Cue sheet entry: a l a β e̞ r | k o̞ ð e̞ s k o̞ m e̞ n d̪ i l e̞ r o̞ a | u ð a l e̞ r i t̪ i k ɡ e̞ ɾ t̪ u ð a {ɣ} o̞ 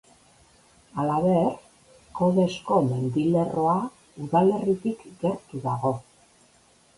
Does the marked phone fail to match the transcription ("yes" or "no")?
no